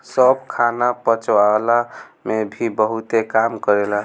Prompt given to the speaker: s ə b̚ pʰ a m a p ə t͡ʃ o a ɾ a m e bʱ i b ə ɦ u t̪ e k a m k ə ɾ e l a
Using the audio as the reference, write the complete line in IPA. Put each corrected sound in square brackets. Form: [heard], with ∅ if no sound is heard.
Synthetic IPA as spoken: s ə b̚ [kʰ] a [n] a p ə t͡ʃ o a [l] a m e bʱ i b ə ɦ u t̪ e k a m k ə ɾ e l a